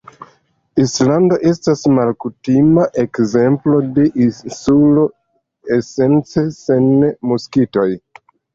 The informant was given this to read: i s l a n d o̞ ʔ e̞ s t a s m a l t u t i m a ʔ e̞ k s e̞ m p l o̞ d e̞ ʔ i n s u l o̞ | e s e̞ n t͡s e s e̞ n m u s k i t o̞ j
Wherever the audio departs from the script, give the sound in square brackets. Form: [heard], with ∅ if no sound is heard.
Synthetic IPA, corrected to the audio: i s l a n d o̞ ʔ e̞ s t a s m a l [k] u t i m a ʔ e̞ k [z] e̞ m p l o̞ d e̞ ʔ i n s u l o̞ | e s e̞ n t͡s e s e̞ n m u s k i t o̞ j